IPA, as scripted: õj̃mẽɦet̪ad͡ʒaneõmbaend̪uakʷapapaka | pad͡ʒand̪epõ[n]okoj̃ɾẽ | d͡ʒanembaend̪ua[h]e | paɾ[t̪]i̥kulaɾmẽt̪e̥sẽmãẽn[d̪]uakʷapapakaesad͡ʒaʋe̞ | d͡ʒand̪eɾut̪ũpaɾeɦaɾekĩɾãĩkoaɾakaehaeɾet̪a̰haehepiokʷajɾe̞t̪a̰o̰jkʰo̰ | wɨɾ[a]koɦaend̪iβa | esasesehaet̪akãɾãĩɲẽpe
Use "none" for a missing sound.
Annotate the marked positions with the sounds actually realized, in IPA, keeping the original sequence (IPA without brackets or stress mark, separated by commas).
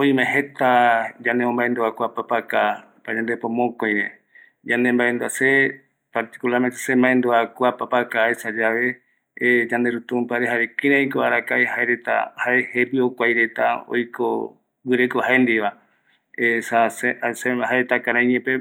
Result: m, s, t̪, d̪, e